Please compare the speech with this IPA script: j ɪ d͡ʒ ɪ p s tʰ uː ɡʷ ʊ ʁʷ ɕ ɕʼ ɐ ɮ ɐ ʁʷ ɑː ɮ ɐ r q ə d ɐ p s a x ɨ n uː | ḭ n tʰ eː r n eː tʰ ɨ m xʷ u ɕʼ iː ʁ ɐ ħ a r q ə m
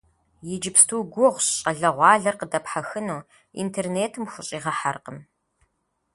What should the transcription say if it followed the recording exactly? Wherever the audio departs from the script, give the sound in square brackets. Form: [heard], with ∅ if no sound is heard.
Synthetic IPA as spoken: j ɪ d͡ʒ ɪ p s tʰ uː ɡʷ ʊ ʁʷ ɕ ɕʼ ɐ ɮ ɐ ʁʷ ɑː ɮ ɐ r q ə d ɐ p [ħ] a x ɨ n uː | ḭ n tʰ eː r n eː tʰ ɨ m xʷ [ʊ] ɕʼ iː ʁ ɐ ħ a r q ə m